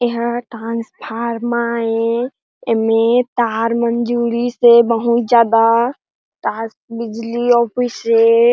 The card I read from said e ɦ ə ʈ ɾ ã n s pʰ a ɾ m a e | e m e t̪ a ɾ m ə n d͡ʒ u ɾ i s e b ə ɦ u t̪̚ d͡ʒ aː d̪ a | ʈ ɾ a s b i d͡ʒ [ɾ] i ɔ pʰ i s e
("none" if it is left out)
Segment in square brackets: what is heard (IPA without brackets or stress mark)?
l